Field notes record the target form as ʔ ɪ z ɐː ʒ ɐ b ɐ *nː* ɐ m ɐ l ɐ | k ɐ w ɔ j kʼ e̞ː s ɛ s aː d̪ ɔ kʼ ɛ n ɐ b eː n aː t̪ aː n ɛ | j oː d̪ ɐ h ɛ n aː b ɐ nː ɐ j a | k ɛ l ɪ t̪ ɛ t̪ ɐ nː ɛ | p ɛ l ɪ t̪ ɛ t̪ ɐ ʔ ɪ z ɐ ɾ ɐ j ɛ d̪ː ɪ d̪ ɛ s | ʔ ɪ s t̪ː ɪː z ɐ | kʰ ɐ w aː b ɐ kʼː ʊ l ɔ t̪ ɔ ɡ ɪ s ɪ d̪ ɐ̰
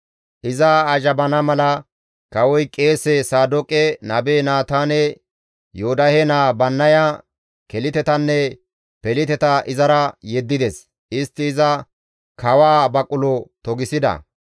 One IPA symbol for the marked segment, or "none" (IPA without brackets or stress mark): n